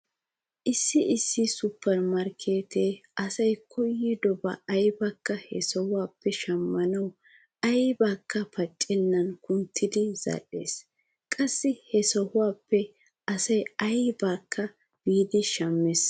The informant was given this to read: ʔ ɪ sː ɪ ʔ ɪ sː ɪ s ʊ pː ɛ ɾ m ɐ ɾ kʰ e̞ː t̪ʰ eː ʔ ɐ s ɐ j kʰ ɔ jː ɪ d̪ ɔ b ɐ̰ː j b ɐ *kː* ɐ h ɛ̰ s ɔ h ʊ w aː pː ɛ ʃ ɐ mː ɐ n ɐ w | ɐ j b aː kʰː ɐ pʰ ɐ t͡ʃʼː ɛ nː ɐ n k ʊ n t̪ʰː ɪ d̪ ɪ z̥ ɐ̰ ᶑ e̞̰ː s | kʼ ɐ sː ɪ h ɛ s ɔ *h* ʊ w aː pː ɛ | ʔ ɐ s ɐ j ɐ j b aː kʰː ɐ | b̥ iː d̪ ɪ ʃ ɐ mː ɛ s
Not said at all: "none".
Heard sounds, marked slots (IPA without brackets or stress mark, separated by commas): kː, h